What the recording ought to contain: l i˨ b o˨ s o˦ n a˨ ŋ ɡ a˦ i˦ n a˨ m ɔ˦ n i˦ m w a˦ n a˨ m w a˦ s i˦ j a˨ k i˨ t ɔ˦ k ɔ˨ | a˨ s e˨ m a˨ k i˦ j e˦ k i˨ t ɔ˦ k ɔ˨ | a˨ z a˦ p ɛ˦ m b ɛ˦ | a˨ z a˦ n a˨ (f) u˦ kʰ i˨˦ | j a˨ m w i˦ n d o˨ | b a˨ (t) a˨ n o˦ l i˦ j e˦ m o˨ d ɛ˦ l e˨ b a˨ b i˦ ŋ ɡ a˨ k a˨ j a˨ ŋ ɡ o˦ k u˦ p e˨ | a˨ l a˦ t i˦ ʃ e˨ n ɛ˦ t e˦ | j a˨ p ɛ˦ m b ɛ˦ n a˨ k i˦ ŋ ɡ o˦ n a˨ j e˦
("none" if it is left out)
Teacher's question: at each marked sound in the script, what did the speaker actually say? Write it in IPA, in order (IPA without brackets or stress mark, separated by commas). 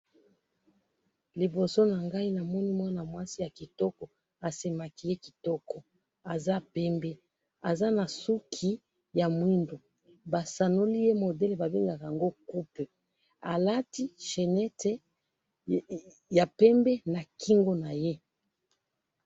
s, s